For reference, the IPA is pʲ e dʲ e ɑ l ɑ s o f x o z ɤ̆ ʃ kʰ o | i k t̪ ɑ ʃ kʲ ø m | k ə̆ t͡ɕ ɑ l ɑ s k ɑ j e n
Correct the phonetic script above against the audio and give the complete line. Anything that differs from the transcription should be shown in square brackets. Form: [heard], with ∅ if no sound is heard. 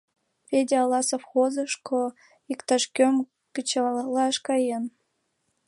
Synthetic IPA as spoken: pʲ e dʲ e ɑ l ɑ s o f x o z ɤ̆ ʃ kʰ o | i k t̪ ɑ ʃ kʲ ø m | k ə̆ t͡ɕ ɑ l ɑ [ʃ] k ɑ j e n